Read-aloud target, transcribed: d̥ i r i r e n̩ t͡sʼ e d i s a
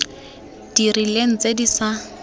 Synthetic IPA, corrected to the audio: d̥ i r i l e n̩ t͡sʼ e d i s a